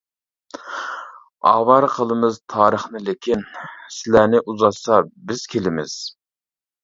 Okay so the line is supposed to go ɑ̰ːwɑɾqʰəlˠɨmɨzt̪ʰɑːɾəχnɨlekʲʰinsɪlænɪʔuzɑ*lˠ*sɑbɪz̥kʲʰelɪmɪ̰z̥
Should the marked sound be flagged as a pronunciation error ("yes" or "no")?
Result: yes